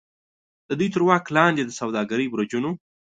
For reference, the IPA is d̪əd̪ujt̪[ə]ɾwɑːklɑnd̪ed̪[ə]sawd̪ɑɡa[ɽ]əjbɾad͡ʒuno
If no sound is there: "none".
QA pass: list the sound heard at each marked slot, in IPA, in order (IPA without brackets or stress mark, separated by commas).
ə, ə, ɾ